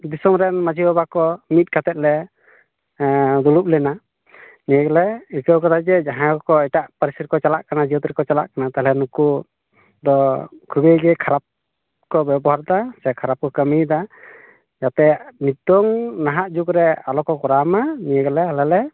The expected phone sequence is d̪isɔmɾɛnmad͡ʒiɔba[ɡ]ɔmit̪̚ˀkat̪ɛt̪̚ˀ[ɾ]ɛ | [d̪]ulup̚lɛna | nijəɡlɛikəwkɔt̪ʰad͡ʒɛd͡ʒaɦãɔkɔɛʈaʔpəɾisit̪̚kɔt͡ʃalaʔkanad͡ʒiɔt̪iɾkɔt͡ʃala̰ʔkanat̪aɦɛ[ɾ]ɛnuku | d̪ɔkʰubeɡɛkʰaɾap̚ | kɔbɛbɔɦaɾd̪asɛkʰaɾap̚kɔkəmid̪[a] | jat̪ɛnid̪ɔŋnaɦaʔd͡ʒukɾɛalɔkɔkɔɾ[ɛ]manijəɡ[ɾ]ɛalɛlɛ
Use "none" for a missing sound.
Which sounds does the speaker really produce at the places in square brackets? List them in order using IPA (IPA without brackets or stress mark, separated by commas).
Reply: k, l, d̪, l, a, a, l